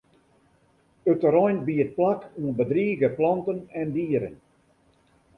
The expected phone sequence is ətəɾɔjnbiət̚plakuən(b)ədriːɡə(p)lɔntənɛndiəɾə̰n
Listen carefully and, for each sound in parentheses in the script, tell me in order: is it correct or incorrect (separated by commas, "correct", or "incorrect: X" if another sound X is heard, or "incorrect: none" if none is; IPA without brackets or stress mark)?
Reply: correct, correct